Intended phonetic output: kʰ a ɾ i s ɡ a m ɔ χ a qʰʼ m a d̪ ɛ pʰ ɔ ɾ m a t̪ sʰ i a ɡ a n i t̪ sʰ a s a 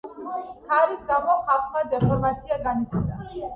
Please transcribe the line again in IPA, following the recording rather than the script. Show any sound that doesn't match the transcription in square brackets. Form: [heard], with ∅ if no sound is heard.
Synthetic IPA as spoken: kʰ a ɾ i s ɡ a m ɔ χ a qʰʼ m a d̪ ɛ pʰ ɔ ɾ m a t̪ sʰ i a ɡ a n i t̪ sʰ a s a